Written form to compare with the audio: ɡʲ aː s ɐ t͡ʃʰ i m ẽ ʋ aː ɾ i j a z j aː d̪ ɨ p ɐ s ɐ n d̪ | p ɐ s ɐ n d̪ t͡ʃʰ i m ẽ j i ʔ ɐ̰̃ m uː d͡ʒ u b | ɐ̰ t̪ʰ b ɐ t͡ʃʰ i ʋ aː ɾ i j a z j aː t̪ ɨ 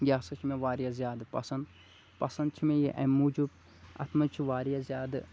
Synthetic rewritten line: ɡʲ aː s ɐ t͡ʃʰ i m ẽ ʋ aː ɾ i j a z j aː d̪ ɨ p ɐ s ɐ n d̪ | p ɐ s ɐ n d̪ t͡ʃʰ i m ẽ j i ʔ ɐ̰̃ m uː d͡ʒ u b | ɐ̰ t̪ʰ m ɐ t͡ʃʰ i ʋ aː ɾ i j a z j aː d̪ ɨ